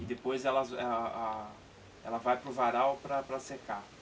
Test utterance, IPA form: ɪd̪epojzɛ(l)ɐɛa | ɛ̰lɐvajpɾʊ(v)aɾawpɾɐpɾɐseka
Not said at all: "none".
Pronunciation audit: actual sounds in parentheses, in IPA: l, v

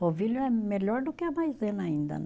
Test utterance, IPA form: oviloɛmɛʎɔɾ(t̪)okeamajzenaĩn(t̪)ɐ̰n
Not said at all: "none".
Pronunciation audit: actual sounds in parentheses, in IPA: d̪, d̪

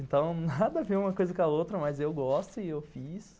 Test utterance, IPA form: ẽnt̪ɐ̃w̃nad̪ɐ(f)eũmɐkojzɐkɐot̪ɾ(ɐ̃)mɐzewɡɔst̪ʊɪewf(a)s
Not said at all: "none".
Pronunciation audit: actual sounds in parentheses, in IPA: v, ɐ, i

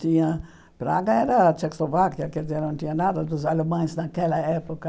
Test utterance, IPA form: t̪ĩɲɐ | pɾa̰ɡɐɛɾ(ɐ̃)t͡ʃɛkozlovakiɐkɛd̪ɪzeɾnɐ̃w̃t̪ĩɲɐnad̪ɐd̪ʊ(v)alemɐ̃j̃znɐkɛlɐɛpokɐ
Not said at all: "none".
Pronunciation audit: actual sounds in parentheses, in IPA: ɐ, z

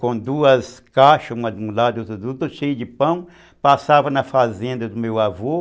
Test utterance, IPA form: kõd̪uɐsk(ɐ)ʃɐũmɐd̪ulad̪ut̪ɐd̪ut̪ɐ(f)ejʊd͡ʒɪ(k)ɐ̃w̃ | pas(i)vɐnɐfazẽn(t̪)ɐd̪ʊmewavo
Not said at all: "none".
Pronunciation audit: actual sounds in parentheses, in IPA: a, ʃ, p, a, d̪

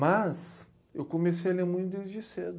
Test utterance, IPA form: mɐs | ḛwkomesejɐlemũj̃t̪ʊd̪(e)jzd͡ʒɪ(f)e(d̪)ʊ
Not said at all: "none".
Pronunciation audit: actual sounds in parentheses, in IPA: e, s, d̪

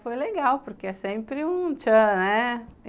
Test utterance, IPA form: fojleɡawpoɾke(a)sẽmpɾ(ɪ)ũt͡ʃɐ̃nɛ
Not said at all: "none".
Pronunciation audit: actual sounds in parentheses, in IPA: ɛ, ɪ

